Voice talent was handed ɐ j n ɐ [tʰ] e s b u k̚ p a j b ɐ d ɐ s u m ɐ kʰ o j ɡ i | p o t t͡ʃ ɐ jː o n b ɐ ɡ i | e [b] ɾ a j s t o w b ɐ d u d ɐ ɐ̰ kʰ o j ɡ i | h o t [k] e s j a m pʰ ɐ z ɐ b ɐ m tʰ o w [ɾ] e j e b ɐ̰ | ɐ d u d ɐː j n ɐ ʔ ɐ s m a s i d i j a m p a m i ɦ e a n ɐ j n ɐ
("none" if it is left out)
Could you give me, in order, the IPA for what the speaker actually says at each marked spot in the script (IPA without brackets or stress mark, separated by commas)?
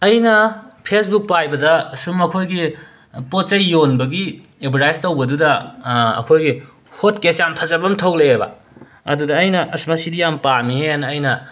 pʰ, b, k, l